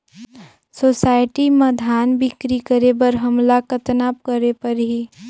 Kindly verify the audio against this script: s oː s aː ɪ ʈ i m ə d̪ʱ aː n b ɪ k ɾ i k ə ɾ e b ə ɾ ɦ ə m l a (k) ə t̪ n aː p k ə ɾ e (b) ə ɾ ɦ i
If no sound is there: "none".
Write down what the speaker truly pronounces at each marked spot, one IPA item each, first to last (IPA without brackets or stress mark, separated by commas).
k, p